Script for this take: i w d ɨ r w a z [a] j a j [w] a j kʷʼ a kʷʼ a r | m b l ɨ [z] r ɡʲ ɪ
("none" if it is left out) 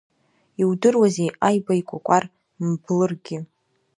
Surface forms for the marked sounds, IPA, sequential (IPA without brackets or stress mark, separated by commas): e, b, none